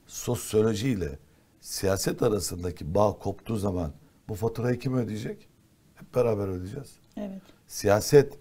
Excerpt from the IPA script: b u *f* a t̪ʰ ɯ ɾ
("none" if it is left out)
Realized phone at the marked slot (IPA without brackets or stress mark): f